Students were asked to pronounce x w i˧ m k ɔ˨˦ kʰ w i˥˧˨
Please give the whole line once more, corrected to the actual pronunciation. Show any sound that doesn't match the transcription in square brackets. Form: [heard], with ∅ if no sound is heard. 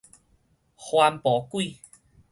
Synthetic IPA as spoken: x w [a˧] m [p] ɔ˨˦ [k] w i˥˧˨